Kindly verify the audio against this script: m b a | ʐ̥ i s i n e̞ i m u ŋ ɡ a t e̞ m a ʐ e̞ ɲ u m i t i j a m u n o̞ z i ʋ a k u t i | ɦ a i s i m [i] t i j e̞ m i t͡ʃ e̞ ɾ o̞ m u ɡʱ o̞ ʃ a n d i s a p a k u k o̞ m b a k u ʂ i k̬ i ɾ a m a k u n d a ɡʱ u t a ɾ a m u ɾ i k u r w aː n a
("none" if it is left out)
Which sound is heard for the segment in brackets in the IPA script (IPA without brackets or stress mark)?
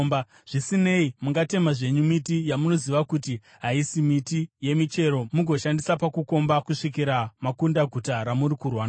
i